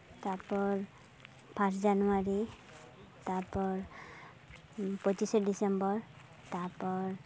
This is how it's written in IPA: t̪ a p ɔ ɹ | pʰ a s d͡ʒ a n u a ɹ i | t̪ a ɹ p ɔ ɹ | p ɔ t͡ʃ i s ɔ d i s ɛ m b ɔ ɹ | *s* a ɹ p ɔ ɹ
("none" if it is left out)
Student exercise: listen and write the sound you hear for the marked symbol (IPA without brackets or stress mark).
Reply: t